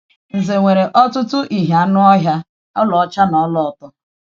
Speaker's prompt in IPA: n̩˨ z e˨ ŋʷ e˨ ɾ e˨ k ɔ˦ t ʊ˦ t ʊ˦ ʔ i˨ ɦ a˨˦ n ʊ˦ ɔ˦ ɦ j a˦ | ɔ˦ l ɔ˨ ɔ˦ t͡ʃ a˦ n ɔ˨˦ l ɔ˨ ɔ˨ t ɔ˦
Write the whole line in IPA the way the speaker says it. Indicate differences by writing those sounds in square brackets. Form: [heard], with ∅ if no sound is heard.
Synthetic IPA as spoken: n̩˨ z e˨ ŋʷ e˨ ɾ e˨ [ʔ] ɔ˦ t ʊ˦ t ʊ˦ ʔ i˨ ɦ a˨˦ n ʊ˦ ɔ˦ ɦ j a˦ | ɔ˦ l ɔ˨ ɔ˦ t͡ʃ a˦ n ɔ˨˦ l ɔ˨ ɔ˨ t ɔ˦